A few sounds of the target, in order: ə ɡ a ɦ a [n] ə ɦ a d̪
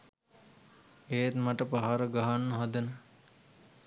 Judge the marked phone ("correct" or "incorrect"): incorrect